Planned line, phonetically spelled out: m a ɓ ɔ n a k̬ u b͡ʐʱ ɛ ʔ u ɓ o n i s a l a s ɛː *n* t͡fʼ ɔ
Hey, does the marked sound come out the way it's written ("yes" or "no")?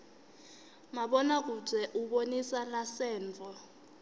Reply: yes